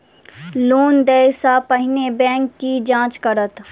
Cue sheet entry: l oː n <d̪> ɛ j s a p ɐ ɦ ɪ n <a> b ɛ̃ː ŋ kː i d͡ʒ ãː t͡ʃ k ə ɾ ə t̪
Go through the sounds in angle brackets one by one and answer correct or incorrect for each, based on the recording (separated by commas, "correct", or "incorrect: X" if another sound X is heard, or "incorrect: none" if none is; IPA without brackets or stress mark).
correct, incorrect: e